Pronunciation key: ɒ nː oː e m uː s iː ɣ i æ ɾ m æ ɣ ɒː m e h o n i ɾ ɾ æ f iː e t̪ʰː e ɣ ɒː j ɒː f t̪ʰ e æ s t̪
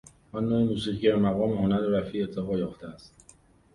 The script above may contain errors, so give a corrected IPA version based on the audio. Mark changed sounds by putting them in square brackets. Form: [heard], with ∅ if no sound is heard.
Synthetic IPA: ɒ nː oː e m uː s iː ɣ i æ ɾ m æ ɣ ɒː m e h o n [æ] ɾ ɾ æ f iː e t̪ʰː e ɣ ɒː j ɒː f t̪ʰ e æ s t̪

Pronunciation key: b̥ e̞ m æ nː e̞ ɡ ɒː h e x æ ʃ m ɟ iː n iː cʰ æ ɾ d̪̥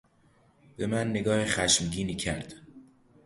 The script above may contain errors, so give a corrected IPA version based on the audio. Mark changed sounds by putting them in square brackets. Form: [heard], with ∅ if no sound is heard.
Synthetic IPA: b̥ e̞ m æ nː e̞ ɡ ɒː h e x æ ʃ m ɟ iː n iː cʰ æ ɾ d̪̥

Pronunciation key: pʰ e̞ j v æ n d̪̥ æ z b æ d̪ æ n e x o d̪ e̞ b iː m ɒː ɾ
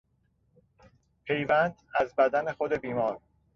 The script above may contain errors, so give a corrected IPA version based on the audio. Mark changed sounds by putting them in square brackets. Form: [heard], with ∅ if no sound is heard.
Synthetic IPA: pʰ e̞ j v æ n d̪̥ æ z b æ d̪ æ n e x o d̪ e̞ b iː m ɒː ɾ

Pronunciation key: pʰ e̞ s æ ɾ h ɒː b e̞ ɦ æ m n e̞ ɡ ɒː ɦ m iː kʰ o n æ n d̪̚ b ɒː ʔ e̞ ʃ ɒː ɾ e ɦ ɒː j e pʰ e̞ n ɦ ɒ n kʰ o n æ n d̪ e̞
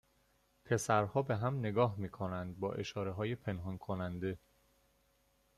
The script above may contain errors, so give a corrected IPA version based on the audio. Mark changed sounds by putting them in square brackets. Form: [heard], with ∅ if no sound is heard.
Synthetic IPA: pʰ e̞ s æ ɾ h ɒː b e̞ ɦ æ m n e̞ ɡ ɒː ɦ m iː kʰ o n æ n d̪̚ b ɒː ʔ e̞ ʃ ɒː ɾ e ɦ ɒː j e pʰ e̞ n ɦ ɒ n kʰ o n æ n d̪ e̞

